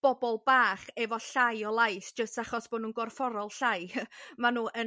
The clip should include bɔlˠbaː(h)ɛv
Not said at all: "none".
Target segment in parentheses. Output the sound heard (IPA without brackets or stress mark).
χ